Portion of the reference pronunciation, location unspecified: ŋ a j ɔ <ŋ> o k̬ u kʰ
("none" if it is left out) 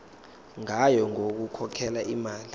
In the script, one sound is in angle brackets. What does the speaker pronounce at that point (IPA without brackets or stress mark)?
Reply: ŋ